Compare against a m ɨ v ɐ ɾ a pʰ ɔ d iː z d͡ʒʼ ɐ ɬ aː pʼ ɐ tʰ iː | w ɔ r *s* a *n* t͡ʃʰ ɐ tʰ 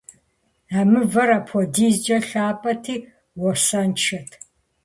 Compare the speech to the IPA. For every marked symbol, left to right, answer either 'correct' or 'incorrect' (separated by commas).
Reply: correct, correct